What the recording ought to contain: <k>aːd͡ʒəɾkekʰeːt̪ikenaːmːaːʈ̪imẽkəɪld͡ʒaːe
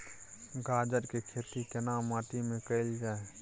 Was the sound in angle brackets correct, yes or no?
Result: no